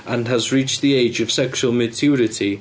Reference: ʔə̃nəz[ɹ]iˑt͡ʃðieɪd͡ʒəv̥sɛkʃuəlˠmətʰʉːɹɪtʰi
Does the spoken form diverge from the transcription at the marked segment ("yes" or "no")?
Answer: no